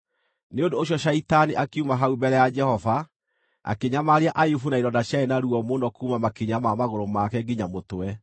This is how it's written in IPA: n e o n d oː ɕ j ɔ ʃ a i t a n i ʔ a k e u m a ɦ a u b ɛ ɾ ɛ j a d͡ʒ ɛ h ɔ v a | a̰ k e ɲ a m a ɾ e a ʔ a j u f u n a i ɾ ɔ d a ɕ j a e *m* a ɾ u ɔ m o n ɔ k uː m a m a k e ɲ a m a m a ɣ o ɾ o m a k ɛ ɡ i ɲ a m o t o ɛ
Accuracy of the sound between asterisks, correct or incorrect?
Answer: incorrect: n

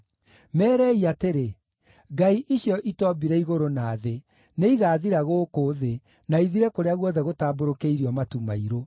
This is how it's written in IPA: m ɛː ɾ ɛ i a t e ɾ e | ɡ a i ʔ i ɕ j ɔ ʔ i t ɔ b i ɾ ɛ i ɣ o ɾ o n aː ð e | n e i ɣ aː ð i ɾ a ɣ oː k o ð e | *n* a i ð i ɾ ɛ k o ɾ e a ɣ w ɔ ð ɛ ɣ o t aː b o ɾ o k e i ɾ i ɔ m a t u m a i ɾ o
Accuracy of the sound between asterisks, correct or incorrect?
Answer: correct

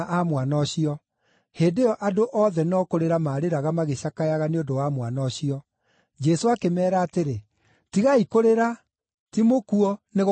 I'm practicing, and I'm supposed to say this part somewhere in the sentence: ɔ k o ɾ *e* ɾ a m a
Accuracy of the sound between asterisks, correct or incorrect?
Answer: correct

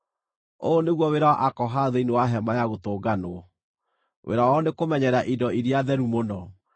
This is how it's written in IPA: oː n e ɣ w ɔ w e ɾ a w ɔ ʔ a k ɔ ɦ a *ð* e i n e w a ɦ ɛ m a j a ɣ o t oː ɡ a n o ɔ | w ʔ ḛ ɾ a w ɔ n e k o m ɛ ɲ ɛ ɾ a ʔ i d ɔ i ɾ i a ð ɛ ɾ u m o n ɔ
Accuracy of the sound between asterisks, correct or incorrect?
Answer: correct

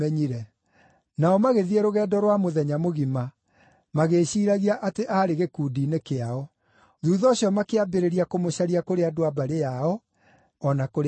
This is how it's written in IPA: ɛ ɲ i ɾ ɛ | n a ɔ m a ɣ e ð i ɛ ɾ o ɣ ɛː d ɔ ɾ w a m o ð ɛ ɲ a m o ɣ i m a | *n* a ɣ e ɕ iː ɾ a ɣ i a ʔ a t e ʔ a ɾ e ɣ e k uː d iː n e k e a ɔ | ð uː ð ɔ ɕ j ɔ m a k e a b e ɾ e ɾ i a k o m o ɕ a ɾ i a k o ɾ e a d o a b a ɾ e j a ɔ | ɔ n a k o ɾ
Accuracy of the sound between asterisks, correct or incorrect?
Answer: incorrect: m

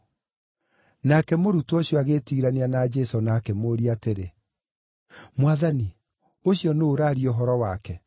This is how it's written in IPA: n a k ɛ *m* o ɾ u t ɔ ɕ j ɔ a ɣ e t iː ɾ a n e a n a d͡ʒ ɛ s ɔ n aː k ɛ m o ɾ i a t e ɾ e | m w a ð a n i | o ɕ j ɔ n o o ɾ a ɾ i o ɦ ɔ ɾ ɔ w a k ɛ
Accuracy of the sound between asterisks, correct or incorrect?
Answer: correct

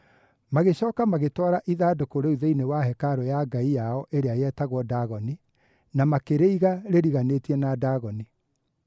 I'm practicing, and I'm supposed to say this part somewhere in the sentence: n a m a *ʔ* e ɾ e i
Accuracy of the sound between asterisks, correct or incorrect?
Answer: incorrect: k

